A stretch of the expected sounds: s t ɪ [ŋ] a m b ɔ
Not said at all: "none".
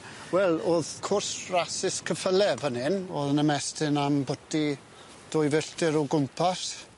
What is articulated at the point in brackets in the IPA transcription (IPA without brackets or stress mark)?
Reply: n